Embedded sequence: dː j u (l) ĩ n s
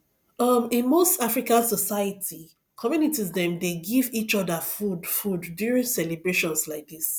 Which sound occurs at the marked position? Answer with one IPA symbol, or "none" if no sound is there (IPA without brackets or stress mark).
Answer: ɹ